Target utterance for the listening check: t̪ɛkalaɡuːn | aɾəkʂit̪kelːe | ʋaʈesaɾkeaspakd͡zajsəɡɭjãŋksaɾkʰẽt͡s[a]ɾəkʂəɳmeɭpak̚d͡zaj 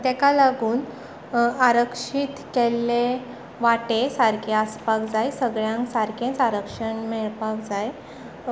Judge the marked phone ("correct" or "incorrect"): correct